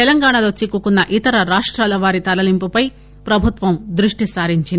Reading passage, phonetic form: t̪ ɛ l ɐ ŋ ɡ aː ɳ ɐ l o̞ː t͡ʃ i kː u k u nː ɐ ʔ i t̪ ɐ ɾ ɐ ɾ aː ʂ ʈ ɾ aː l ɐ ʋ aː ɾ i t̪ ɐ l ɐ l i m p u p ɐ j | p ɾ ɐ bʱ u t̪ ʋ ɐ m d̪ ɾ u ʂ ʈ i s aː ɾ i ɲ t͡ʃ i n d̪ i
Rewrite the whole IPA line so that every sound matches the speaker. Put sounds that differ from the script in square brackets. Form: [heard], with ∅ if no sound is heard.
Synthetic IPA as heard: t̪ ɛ l ɐ ŋ ɡ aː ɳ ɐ l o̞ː t͡ʃ i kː u k u nː ɐ ʔ i t̪ ɐ ɾ ɐ ɾ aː ʂ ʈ ɾ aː l ɐ ʋ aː ɾ i t̪ ɐ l ɐ l i m p u p ɐ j | p ɾ ɐ bʱ u t̪ ʋ ɐ m d̪ ɾ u ʂ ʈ i s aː ɾ i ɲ t͡ʃ i n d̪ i